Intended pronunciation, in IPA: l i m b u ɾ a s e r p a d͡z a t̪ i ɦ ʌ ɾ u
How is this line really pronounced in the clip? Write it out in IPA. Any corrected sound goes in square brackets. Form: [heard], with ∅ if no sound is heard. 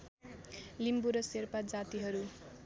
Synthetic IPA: l i m b u ɾ [ʌ] s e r p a d͡z a t̪ i ɦ ʌ ɾ u